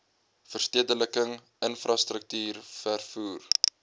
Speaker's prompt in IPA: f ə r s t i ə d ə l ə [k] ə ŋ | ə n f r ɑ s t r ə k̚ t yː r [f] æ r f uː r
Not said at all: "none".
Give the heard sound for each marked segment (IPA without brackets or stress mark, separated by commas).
k, f